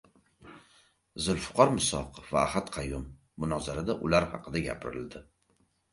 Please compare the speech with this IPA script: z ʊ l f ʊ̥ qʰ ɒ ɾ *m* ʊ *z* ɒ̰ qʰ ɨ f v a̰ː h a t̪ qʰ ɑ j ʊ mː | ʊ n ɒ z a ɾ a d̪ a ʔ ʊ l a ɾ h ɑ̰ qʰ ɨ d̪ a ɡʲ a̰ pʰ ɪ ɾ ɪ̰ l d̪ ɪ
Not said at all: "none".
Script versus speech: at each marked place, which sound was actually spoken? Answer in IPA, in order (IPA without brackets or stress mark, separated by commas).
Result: m, s